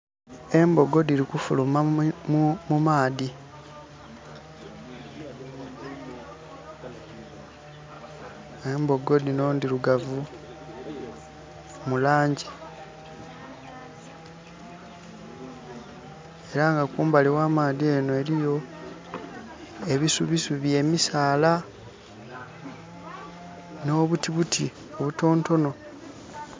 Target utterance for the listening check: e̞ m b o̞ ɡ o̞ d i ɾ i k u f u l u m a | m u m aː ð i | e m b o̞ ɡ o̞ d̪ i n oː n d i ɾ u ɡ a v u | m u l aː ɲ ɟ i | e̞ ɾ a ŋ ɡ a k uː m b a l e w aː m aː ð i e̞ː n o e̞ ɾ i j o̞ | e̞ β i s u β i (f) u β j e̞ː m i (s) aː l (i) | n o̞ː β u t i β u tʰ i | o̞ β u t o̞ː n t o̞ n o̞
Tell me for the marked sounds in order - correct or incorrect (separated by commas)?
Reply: incorrect, correct, incorrect